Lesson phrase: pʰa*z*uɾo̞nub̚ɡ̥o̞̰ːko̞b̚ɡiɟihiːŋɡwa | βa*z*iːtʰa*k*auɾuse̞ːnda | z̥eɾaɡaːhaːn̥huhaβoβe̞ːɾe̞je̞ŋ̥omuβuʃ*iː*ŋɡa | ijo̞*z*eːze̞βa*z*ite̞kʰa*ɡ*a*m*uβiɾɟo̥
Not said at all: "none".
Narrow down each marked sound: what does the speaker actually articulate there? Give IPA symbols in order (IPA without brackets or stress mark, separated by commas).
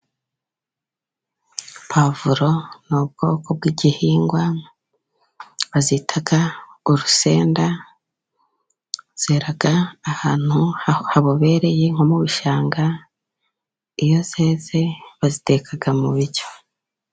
v, z, ɡ, aː, z, z, ɡ, m